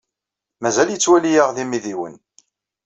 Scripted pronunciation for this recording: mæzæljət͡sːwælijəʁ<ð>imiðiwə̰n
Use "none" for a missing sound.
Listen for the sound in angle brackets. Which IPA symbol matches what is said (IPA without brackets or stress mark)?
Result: ð